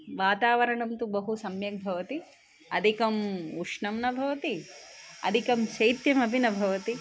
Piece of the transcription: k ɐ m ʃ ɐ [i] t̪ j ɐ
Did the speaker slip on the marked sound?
yes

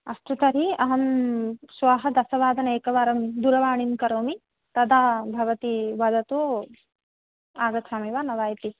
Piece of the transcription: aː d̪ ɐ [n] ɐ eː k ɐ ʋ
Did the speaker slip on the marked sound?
no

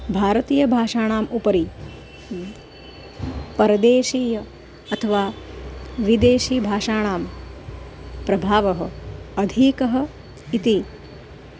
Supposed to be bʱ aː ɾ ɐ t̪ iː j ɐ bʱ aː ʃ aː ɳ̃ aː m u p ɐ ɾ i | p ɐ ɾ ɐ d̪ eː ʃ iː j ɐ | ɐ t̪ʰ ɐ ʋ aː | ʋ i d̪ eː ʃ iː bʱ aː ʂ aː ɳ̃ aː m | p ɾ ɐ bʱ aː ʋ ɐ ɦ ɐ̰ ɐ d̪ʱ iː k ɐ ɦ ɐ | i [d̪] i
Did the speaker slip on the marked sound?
yes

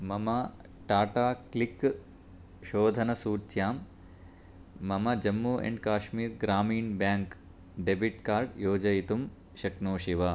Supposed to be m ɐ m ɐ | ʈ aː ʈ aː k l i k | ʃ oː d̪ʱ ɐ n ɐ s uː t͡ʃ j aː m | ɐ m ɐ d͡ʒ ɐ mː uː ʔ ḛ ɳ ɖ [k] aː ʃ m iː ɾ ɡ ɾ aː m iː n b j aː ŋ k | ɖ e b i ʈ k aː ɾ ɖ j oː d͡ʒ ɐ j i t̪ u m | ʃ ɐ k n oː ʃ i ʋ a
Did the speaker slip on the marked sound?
no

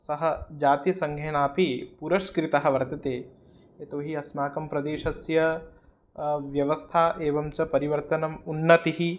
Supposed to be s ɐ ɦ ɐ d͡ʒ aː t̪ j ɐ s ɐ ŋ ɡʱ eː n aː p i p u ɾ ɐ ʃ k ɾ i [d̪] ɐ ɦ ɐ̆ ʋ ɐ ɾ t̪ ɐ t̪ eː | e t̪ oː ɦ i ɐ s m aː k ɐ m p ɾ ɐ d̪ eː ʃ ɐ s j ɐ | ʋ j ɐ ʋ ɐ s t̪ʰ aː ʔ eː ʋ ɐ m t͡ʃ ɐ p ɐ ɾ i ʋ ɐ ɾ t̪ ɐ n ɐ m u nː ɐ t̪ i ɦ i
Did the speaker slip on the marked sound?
yes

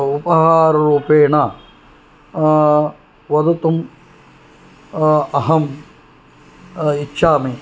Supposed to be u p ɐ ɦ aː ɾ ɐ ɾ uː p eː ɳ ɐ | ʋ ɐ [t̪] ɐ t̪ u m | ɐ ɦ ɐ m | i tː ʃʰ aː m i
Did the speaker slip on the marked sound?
yes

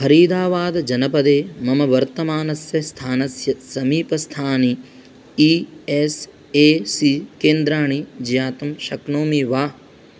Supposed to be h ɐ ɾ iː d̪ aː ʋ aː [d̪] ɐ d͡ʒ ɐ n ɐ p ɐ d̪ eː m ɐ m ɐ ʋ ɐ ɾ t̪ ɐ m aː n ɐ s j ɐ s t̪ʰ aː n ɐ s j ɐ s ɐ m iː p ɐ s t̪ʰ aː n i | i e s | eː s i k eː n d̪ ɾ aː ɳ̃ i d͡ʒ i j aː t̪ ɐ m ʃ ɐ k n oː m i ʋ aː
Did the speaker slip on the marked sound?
no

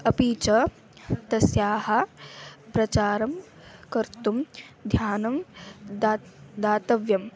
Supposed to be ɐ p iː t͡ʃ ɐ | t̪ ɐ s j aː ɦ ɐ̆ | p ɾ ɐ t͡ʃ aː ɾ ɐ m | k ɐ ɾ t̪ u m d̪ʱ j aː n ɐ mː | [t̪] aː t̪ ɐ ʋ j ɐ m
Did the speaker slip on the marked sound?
yes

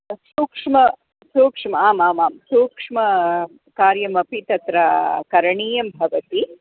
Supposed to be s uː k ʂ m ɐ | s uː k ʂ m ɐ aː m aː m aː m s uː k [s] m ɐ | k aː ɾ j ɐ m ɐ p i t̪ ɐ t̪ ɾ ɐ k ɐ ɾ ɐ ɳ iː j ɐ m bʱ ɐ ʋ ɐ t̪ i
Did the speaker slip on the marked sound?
yes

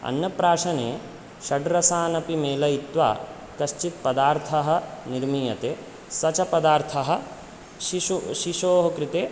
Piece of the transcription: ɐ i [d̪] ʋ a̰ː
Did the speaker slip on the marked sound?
yes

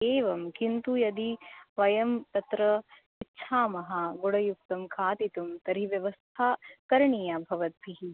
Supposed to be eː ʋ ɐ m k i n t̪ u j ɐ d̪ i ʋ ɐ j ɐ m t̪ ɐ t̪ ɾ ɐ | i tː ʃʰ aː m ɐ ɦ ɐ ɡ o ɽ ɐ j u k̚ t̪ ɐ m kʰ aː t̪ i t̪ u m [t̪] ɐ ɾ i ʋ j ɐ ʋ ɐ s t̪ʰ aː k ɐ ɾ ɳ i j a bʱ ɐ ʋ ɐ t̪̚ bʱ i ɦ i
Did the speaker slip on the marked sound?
no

